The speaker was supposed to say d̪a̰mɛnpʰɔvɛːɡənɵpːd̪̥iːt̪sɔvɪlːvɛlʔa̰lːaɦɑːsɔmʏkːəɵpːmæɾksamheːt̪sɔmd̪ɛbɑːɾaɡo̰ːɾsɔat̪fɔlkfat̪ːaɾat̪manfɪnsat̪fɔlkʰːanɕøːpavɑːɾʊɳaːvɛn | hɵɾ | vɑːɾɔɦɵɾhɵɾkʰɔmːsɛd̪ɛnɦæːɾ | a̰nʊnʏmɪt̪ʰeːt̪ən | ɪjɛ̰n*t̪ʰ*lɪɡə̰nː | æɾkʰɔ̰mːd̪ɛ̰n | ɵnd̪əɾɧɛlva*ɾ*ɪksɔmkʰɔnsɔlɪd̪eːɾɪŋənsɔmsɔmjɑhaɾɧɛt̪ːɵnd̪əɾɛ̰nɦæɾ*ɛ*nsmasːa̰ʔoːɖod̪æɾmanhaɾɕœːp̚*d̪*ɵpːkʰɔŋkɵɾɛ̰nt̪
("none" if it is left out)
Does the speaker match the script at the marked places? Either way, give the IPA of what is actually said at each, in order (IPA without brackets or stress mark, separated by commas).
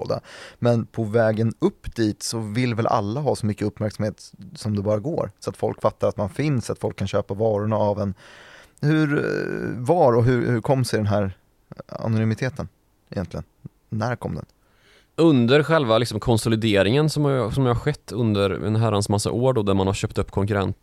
t̪, l, a, t̪